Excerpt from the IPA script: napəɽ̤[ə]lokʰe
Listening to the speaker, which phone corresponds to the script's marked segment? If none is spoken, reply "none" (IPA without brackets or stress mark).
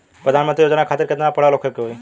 a